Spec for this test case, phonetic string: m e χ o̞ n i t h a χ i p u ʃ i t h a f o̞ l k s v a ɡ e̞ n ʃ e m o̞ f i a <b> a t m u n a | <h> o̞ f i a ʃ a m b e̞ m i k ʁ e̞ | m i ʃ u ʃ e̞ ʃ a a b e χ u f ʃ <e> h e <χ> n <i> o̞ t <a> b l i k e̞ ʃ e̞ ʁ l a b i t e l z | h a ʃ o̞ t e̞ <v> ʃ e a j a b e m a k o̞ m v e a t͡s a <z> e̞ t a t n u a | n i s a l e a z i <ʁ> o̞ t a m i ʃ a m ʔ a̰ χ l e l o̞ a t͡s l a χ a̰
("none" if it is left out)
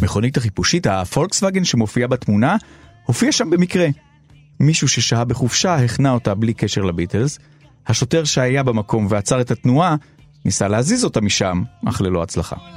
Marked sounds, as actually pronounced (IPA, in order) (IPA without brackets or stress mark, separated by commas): b, h, a, χ, a, a, ʁ, ʁ, z